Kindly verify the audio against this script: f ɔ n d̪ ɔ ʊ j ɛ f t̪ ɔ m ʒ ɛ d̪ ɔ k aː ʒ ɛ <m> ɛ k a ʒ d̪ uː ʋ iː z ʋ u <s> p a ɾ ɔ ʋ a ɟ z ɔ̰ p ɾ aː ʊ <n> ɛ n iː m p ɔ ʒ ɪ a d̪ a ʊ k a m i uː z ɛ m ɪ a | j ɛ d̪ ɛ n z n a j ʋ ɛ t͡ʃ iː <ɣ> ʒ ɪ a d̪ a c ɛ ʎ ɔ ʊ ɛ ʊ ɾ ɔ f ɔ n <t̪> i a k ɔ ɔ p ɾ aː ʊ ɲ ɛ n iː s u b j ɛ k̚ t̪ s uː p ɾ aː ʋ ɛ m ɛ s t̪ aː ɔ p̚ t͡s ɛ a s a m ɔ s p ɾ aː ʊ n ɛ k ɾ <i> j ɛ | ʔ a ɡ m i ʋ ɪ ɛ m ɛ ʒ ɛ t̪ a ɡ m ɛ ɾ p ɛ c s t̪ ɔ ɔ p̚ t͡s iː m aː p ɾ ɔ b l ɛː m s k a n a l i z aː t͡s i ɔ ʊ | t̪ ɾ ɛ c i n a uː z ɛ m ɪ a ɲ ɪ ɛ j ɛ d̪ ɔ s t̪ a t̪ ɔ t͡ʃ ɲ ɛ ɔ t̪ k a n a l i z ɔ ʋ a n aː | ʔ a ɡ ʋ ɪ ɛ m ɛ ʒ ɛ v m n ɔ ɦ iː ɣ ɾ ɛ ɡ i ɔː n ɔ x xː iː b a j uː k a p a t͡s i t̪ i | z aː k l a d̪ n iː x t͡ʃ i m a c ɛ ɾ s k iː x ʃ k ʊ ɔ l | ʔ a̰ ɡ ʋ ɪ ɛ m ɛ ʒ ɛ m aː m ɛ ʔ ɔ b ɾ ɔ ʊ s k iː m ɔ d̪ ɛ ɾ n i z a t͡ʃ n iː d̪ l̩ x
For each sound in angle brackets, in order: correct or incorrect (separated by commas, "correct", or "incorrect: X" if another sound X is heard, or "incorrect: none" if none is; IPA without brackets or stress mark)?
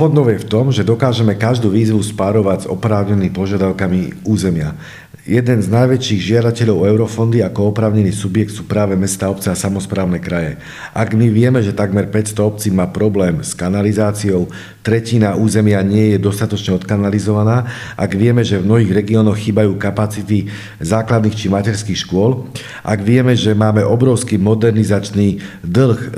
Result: correct, correct, incorrect: ɲ, correct, incorrect: d̪, incorrect: a